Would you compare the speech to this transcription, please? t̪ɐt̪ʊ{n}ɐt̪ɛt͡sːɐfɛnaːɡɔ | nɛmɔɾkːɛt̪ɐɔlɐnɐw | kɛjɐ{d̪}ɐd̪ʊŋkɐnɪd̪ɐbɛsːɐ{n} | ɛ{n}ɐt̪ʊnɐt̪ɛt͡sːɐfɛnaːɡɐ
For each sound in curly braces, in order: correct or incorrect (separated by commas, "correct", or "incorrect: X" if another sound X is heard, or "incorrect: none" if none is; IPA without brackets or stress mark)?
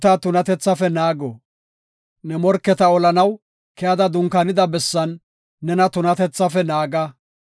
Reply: correct, correct, incorrect: nː, correct